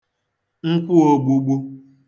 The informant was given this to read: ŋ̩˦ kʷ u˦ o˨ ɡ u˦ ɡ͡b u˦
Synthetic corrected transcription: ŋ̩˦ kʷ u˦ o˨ ɡ͡b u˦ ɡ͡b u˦